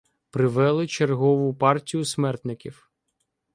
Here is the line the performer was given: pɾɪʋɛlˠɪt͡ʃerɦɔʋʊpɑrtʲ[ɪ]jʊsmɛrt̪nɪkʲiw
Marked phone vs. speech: incorrect: i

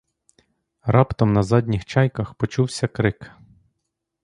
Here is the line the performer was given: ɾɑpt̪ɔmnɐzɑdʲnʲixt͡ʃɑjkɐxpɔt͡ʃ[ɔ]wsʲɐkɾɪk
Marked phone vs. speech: incorrect: u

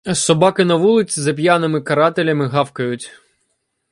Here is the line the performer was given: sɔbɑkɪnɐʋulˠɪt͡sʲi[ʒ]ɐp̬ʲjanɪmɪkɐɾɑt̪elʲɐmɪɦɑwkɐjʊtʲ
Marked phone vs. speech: incorrect: z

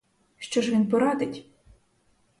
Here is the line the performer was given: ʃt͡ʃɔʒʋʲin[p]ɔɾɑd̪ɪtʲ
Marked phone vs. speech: correct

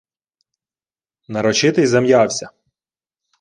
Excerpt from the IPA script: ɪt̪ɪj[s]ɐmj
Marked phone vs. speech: incorrect: z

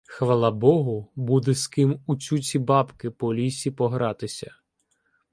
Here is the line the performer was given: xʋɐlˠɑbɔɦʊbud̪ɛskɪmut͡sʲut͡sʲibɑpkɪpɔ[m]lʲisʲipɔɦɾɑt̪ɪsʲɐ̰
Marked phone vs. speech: incorrect: none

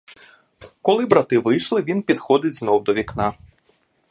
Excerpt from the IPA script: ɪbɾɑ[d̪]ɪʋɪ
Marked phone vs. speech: incorrect: t̪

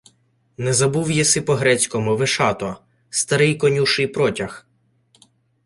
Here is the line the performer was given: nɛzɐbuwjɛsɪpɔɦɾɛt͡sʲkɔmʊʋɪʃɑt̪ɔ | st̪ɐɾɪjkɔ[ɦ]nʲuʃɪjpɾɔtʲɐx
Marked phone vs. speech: incorrect: none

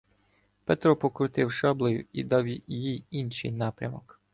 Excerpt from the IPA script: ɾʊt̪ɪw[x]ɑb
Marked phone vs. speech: incorrect: ʃ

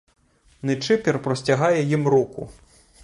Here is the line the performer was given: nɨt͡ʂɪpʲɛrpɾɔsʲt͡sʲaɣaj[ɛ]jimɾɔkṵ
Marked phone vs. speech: correct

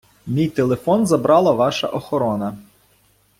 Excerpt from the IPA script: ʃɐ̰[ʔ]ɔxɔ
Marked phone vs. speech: correct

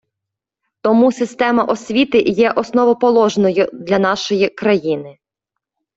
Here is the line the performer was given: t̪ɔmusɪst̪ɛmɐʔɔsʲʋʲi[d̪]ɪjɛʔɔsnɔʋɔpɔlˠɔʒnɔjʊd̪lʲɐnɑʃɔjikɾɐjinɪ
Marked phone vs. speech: incorrect: t̪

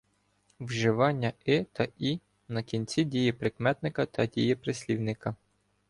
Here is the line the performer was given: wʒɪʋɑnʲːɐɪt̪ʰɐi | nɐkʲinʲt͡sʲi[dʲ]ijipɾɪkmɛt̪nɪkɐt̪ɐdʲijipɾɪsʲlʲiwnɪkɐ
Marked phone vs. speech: correct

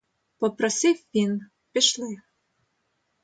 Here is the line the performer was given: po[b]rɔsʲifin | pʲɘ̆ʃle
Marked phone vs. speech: incorrect: p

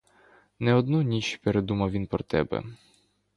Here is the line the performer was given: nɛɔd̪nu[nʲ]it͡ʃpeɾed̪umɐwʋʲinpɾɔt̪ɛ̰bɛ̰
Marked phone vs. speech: correct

